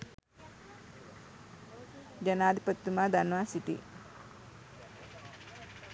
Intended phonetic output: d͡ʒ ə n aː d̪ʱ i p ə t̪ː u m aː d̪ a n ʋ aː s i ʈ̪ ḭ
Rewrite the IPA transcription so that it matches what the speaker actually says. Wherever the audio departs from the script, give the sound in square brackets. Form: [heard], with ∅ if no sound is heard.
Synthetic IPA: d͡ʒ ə n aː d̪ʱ i p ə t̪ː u m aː d̪ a n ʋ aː s i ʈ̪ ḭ